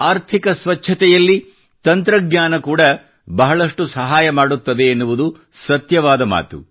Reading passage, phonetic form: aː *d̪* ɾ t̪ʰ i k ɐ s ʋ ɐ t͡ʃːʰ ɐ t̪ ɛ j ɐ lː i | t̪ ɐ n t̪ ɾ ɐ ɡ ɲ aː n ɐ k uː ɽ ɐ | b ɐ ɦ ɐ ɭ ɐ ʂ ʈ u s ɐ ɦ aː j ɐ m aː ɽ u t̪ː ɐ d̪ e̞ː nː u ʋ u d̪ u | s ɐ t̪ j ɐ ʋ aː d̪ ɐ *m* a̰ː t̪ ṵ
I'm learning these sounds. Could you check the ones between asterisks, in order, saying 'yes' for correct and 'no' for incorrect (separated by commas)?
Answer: no, yes